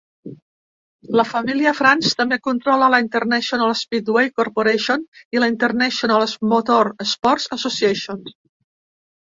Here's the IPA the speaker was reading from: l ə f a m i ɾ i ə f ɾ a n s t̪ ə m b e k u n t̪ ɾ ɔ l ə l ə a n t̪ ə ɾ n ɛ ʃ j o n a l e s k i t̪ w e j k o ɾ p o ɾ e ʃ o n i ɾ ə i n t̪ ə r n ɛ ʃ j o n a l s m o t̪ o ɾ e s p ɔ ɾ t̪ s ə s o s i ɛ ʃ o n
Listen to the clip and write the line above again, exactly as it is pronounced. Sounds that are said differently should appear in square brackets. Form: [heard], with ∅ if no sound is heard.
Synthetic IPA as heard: l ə f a m i [l] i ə f ɾ a n s t̪ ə m b e k u n t̪ ɾ ɔ l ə l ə [i] n t̪ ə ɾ n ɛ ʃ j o n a l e s [p] i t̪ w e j k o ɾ p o ɾ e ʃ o n i [l] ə i n t̪ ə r n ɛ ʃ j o n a l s m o t̪ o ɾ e s p ɔ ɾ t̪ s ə s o s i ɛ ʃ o n

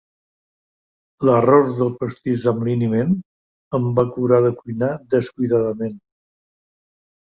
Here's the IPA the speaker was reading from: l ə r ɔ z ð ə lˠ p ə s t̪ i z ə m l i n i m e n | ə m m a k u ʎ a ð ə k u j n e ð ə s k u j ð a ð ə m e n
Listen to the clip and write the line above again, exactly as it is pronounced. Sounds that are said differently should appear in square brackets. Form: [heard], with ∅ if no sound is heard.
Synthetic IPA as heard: l ə r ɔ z ð ə lˠ p ə s t̪ i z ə m l i n i m e n | ə m [b] a k u [ɾ] a ð ə k u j n [a] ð ə s k u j ð a ð ə m e n

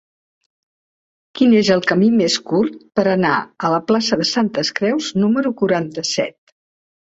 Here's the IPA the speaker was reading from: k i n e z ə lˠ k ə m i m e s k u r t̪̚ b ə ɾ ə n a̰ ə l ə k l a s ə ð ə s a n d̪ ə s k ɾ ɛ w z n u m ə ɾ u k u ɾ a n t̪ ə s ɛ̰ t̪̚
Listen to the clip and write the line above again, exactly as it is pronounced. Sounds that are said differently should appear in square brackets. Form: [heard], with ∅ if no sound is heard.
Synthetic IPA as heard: k i n e z ə lˠ k ə m i m e s k u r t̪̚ [p] ə ɾ ə n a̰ ə l ə [p] l a s ə ð ə s a n [t̪] ə s k ɾ ɛ w z n u m ə ɾ u k u ɾ a n t̪ ə s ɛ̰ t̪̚

